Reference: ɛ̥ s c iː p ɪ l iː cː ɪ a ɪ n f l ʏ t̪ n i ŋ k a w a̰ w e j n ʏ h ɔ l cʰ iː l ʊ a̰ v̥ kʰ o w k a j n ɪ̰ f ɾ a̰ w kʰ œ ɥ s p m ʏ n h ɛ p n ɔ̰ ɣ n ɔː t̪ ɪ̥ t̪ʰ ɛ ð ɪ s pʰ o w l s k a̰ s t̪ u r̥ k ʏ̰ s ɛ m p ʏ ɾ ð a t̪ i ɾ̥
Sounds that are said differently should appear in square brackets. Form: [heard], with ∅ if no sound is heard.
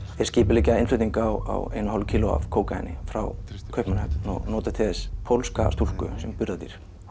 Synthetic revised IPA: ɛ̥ s c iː p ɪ l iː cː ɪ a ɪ n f l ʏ t̪ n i ŋ k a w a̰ w e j n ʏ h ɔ l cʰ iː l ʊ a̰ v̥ kʰ o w k a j n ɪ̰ f ɾ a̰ w kʰ œ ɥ [h] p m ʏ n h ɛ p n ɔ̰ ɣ n ɔː t̪ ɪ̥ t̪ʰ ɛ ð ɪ s pʰ o w l s k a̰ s t̪ u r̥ k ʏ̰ s ɛ m p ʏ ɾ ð a t̪ i ɾ̥